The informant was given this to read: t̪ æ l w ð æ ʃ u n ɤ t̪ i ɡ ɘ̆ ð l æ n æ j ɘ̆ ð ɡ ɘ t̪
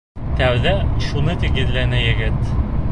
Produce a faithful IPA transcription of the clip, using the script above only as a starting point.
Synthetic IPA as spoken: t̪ æ w ð æ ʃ u n ɤ t̪ i ɡ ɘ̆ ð l æ n æ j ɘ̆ ɡ ɘ t̪